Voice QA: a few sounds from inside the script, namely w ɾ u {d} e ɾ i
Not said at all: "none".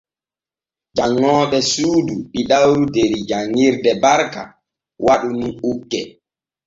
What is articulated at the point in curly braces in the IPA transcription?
d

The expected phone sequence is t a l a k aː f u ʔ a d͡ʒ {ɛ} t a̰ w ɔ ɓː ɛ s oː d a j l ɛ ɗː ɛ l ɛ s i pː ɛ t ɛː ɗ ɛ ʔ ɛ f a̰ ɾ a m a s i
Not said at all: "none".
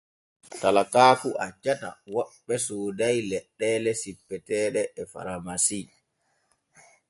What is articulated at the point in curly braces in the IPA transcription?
a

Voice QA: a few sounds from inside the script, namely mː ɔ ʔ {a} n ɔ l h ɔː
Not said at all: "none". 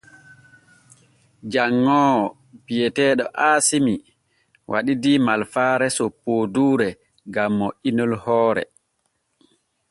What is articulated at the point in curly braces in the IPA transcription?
i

